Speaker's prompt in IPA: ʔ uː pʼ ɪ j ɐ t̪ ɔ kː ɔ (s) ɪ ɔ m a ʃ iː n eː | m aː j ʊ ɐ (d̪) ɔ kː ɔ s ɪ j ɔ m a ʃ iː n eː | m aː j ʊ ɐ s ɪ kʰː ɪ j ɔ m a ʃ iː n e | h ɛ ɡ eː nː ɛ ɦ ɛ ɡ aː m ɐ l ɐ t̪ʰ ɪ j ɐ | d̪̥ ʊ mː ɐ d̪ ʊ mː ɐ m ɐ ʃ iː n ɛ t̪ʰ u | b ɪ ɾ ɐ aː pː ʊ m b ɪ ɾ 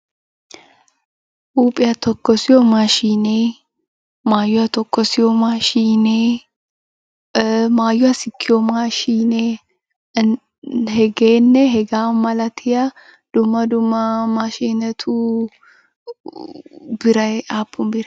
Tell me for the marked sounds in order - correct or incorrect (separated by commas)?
correct, incorrect